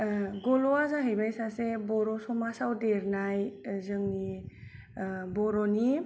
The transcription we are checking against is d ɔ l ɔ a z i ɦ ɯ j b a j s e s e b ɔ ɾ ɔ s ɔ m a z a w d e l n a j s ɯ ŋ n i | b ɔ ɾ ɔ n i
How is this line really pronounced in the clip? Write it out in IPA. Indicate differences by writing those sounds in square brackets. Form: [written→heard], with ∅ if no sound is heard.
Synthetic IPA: [d→ɡ] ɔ l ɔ a z [i→a] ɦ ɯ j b a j s [e→a] s e b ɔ ɾ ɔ s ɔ m a [z→s] a w d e [l→ɾ] n a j [s→z] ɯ ŋ n i | b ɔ ɾ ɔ n i

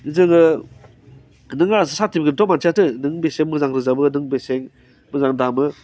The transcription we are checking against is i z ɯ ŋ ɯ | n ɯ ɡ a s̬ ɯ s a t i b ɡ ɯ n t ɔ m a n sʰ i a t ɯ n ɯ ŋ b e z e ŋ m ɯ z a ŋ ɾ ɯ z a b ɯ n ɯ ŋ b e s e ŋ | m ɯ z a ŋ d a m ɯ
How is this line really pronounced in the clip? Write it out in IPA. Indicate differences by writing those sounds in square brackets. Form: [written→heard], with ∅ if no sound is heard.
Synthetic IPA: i z ɯ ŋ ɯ | n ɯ [ɡ→ŋ] a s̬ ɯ s a t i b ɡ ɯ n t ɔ m a n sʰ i a t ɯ n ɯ ŋ b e [z→s] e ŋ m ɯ z a ŋ ɾ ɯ z a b ɯ n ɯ ŋ b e s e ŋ | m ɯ z a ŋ d a m ɯ

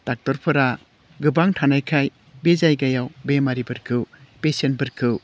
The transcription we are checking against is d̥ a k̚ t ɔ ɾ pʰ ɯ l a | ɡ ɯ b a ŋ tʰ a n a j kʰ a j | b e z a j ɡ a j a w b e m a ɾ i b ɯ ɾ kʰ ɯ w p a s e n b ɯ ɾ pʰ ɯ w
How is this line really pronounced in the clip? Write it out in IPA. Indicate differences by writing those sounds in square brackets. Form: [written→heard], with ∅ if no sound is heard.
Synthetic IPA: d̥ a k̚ t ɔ ɾ pʰ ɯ [l→ɾ] a | ɡ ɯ b a ŋ tʰ a n a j kʰ a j | b e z a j ɡ a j a w b e m a ɾ i b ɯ ɾ kʰ ɯ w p [a→e] s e n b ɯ ɾ [pʰ→kʰ] ɯ w

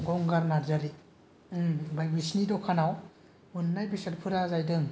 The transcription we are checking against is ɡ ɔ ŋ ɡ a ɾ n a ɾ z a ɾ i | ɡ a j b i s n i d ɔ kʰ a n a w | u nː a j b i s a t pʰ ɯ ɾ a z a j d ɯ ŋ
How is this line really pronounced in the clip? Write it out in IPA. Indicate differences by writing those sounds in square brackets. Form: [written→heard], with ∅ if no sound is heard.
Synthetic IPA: ɡ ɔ ŋ ɡ a ɾ n a ɾ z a ɾ i | [ɡ→b] a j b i s n i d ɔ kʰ a n a w | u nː a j b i s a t pʰ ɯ ɾ a z a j d ɯ ŋ

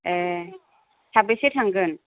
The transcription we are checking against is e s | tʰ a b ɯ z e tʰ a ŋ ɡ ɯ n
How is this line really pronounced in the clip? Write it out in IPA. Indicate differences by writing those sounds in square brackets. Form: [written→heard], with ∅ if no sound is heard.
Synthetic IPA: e [s→∅] | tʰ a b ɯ [z→s] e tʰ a ŋ ɡ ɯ n

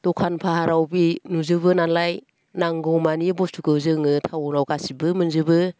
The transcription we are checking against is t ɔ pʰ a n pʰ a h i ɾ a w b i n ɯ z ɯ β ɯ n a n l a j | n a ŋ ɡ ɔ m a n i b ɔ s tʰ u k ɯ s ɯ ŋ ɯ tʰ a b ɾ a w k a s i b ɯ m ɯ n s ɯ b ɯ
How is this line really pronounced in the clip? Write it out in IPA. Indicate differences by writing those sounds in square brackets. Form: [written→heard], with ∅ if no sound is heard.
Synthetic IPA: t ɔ [pʰ→kʰ] a n pʰ a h [i→a] ɾ a w b i n [ɯ→u] z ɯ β ɯ n a n l a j | n a ŋ ɡ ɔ m a n i b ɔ s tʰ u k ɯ [s→z] ɯ ŋ ɯ tʰ a [b→w] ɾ a w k a s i b ɯ m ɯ n [s→z] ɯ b ɯ

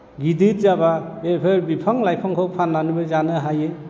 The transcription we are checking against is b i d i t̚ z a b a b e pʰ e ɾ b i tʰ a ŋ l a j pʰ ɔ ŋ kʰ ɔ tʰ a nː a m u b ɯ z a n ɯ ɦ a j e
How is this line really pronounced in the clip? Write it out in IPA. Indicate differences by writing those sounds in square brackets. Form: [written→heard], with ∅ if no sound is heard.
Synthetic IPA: [b→ɡ] i d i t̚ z a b a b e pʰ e ɾ b i [tʰ→pʰ] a ŋ l a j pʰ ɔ ŋ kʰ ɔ [tʰ→pʰ] a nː a [m→n] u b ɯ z a n ɯ ɦ a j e

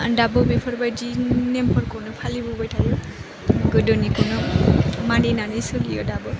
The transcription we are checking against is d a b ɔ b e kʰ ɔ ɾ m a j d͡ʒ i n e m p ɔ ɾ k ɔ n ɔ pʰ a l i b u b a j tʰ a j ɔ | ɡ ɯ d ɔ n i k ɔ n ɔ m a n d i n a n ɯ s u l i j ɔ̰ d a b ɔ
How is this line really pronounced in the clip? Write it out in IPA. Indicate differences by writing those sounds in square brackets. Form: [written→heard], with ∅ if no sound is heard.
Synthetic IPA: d a b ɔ b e [kʰ→pʰ] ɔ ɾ [m→b] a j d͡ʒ i n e m p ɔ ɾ k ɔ n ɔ pʰ a l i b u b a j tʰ a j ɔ | ɡ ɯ d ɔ n i k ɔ n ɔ m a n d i n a n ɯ s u l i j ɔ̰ d a b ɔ

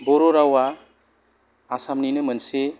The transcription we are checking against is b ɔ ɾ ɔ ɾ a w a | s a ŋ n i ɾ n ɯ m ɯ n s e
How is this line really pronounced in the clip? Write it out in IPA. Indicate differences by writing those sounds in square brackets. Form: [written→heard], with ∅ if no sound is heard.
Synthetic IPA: b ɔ ɾ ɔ ɾ a w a | s a [ŋ→m] n i [ɾ→∅] n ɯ m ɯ n s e

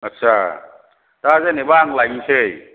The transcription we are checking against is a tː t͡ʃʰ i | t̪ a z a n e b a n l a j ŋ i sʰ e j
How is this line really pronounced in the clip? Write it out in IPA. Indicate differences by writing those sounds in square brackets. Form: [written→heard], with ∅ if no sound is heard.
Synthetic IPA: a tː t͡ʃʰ [i→a] | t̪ a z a n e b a [n→ŋ] l a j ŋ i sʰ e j

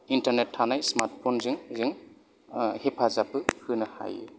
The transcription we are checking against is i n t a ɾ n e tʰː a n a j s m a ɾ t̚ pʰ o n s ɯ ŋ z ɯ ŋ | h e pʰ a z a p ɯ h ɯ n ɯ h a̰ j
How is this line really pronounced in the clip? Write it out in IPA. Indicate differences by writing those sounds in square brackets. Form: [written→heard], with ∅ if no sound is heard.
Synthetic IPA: i n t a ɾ n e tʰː a n a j s m a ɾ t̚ pʰ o n [s→z] ɯ ŋ z ɯ ŋ | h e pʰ a z a p ɯ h ɯ n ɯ h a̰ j

